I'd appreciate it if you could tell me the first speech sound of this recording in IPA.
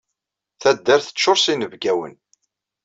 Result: θ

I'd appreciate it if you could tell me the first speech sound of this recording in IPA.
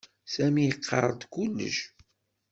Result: s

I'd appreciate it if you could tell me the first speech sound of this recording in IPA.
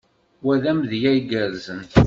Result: w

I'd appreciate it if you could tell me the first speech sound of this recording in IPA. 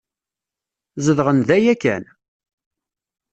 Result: z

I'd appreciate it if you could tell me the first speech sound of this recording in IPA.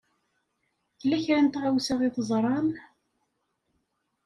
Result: θ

